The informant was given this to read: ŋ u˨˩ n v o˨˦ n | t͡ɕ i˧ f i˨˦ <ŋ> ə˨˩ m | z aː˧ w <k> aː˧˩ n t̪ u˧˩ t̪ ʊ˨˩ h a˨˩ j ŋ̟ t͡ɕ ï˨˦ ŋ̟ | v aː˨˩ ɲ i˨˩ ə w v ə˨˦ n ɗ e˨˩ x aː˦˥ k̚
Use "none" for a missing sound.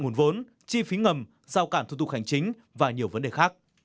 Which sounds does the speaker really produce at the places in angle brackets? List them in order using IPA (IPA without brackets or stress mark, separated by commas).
ŋ, k